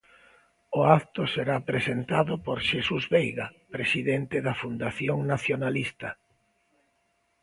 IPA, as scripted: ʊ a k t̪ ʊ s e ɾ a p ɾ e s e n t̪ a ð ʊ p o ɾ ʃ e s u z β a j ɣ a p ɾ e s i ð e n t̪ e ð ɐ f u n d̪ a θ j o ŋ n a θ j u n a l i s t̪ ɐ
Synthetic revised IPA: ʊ a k t̪ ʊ s e ɾ a p ɾ e s e n t̪ a ð ʊ p o ɾ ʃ e s u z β e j ɣ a p ɾ e s i ð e n t̪ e ð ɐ f u n d̪ a θ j o ŋ n a θ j o n a l i s t̪ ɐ